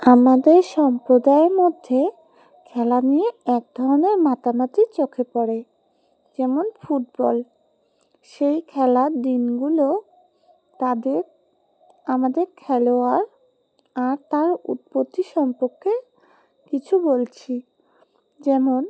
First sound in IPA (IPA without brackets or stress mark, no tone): a